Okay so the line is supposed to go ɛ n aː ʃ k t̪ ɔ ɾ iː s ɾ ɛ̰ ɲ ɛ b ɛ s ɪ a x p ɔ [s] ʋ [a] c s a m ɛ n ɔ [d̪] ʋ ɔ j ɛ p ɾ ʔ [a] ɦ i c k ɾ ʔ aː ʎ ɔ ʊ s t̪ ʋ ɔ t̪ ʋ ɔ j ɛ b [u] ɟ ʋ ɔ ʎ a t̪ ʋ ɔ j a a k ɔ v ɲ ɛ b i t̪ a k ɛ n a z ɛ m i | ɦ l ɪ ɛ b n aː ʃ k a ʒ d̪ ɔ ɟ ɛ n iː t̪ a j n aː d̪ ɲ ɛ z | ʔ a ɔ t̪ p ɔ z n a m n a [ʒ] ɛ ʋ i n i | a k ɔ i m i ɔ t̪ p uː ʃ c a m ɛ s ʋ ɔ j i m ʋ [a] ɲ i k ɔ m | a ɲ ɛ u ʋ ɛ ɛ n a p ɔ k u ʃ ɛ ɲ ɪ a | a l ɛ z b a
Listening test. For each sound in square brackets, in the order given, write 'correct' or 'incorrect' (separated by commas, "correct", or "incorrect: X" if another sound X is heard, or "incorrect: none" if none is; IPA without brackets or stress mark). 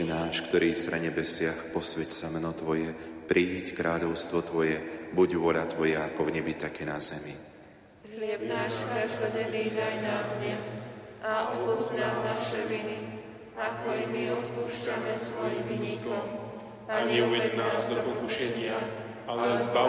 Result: correct, incorrect: ɛ, incorrect: t̪, incorrect: i, correct, incorrect: ʃ, incorrect: i